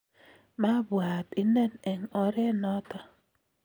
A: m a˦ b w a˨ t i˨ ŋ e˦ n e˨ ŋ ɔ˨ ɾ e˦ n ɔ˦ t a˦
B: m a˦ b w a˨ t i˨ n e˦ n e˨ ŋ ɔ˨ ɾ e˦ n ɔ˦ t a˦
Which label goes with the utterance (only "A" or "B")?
B